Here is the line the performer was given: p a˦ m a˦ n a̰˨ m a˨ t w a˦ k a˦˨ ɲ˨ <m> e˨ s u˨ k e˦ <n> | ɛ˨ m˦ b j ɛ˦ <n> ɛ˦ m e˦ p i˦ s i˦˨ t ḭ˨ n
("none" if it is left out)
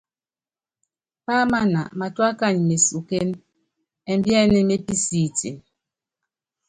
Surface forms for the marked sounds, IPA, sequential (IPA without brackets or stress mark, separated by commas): m, n, n